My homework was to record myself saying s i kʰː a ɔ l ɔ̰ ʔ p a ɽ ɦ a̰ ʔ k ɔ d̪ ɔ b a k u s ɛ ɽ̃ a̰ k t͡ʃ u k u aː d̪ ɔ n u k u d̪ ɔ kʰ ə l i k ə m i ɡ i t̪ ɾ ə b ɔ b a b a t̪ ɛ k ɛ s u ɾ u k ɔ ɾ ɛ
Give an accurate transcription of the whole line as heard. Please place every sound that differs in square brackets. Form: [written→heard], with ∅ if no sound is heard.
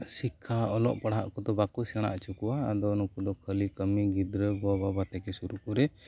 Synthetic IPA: s i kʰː a ɔ l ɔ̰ ʔ p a ɽ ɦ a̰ ʔ k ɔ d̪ ɔ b a k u s ɛ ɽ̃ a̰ [k→ʔ] t͡ʃ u k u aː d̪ ɔ n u k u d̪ ɔ kʰ ə l i k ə m i ɡ i [t̪→d̪] ɾ ə b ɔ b a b a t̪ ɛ k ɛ s u ɾ u k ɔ ɾ ɛ